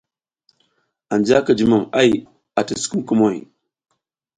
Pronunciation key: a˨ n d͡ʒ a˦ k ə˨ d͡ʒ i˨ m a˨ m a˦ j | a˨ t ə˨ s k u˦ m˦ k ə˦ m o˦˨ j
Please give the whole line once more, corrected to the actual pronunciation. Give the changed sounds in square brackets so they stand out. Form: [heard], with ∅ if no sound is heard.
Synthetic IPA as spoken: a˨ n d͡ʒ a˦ k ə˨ d͡ʒ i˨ m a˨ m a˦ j | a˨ t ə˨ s k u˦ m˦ k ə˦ m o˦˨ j

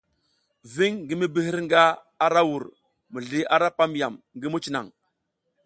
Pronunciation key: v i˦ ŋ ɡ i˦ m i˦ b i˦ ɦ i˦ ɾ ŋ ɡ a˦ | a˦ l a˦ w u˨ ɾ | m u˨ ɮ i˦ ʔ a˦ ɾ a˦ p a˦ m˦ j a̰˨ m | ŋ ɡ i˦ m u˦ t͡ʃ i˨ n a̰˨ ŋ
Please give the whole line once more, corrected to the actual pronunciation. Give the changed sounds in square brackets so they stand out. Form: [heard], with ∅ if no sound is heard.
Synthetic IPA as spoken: v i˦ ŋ ɡ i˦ m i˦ b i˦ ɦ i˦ ɾ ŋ ɡ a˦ | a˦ [ɾ] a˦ w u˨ ɾ | m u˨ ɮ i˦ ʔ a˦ ɾ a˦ p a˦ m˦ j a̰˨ m | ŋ ɡ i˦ m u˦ t͡ʃ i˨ n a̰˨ ŋ

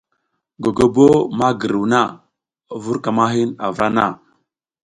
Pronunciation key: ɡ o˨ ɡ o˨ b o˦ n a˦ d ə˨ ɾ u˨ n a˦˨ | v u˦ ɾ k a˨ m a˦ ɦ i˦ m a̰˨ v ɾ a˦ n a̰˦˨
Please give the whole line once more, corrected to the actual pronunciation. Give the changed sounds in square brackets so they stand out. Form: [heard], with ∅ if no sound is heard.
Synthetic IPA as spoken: ɡ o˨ ɡ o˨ b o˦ [m] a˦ [ɡ] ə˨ ɾ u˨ n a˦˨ | v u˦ ɾ k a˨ m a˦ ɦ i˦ [n] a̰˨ v ɾ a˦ n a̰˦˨

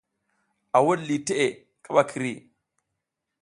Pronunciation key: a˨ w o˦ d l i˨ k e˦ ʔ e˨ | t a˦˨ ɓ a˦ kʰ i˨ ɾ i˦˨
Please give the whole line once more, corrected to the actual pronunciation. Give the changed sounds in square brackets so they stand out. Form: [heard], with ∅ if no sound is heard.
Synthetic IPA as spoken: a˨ w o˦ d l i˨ [t] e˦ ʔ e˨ | [k] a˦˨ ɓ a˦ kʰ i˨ ɾ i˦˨

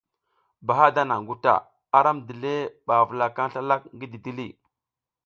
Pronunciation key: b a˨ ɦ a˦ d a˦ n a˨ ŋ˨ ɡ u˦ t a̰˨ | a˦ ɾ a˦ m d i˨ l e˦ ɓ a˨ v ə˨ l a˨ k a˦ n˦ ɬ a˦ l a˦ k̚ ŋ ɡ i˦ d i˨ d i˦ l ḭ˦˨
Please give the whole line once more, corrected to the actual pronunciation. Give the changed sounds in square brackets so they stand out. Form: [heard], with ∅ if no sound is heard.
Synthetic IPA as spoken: b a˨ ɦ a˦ d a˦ n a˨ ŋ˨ ɡ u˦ t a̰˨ | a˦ ɾ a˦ m d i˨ l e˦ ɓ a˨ v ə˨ l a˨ k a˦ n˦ ɬ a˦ l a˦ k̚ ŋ ɡ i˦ d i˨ d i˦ l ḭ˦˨

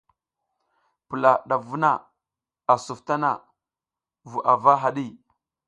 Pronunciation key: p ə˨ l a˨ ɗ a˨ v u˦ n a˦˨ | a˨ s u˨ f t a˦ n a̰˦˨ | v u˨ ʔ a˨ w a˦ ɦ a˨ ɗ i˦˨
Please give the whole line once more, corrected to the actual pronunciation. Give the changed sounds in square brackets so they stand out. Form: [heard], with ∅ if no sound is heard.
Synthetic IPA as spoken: p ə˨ l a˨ ɗ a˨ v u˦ n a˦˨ | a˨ s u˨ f t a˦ n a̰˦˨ | v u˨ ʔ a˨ [v] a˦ ɦ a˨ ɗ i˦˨

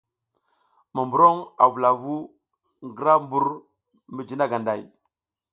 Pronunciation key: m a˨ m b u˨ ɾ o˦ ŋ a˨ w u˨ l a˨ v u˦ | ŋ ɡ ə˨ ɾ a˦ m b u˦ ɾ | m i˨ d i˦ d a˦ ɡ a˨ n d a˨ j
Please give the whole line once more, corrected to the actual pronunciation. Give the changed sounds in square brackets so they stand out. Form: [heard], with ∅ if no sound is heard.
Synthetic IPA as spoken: m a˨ m b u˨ ɾ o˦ ŋ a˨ [v] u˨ l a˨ v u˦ | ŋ ɡ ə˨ ɾ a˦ m b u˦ ɾ | m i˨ [d͡ʒ] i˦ [n] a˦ ɡ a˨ n d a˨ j

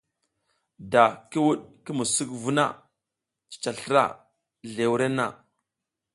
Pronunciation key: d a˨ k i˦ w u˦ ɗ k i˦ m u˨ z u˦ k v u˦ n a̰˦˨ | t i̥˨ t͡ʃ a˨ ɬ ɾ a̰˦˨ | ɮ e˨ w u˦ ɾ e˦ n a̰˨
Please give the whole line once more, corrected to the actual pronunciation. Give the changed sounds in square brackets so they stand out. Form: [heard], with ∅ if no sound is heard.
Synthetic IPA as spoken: d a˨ k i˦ w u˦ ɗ k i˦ m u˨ [s] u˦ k v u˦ n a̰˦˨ | [t͡ʃ] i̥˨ t͡ʃ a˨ ɬ ɾ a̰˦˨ | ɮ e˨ w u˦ ɾ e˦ n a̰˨

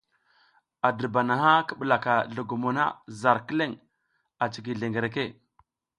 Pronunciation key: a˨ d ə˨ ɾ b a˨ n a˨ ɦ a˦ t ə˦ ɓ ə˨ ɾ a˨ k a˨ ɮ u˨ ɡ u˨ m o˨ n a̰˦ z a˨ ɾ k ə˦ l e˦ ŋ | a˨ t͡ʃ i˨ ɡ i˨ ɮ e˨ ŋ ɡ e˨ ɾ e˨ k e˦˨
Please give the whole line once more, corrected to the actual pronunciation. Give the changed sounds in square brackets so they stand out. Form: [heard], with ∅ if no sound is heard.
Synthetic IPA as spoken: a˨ d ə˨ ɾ b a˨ n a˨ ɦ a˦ [k] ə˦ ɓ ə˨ [l] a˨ k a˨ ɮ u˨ ɡ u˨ m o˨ n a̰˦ z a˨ ɾ k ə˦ l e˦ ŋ | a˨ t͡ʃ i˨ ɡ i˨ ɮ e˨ ŋ ɡ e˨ ɾ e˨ k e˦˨

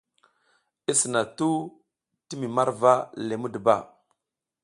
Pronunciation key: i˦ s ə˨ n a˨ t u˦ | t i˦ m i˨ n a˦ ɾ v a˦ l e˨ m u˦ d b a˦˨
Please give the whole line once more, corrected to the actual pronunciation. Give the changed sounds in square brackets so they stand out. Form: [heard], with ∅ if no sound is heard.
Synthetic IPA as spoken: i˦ s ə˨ n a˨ t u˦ | t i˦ m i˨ [m] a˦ ɾ v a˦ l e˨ m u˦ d b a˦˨

